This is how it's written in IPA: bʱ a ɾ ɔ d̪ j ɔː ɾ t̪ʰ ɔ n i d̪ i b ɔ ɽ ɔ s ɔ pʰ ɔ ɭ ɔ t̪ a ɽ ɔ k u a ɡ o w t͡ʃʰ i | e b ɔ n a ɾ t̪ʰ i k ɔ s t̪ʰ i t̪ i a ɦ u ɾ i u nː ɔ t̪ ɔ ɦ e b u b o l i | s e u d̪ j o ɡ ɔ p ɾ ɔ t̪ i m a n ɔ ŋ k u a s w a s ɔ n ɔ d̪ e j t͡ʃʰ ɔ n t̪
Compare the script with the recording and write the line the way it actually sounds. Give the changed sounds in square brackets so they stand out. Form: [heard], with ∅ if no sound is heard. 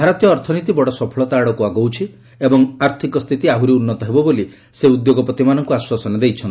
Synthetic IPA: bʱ a ɾ ɔ [t̪] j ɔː ɾ t̪ʰ ɔ n i [t̪] i b ɔ ɽ ɔ s ɔ pʰ ɔ ɭ ɔ t̪ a ɽ ɔ k u a ɡ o w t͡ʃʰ i | e b ɔ [ŋ] a ɾ t̪ʰ i k ɔ s t̪ʰ i t̪ i a ɦ u ɾ i u nː ɔ t̪ ɔ ɦ e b [ɔ] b o l i | s e u d̪ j o ɡ ɔ p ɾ ɔ t̪ i m a n ɔ ŋ k u a s w a s ɔ n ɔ d̪ e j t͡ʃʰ ɔ n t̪